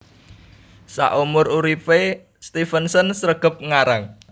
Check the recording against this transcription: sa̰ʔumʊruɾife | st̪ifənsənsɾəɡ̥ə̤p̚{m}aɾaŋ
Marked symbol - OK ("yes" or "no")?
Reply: no